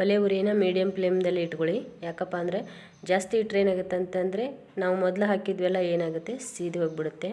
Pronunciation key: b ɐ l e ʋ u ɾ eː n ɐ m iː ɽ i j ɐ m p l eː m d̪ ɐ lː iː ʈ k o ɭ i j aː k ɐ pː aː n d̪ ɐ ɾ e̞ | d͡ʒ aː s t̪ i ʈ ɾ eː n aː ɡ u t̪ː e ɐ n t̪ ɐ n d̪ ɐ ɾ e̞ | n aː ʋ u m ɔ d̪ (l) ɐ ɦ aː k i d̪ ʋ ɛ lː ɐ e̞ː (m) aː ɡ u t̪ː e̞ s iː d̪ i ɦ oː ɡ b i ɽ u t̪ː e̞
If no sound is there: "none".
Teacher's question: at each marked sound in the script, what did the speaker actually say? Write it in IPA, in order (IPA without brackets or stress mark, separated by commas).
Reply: l, n